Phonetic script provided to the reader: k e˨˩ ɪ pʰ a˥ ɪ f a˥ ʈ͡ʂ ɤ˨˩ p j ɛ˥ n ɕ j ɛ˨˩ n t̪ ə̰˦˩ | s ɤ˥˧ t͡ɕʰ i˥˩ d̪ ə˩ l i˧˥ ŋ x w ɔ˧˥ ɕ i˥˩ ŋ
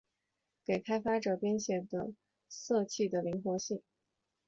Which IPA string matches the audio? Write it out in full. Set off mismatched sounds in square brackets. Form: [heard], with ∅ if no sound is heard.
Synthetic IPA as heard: k e˨˩ ɪ [kʰ] a˥ ɪ f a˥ ʈ͡ʂ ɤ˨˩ p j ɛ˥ n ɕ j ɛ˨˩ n [d̪] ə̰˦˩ | s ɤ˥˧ t͡ɕʰ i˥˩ d̪ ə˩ l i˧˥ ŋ x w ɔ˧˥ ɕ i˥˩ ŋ